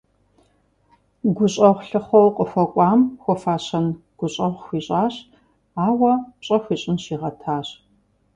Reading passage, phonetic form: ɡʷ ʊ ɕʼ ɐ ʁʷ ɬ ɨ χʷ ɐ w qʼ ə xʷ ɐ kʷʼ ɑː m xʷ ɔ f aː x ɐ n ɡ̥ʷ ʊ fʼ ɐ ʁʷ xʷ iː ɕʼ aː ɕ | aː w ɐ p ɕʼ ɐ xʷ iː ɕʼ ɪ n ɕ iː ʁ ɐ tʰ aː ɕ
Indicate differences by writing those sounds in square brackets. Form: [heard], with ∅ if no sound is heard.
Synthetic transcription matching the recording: ɡʷ ʊ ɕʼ ɐ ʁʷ ɬ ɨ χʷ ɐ w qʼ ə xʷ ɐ kʷʼ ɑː m xʷ ɔ f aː [ɕ] ɐ n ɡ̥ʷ ʊ [ɕʼ] ɐ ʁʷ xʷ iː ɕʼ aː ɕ | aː w ɐ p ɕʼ ɐ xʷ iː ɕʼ ɪ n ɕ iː ʁ ɐ tʰ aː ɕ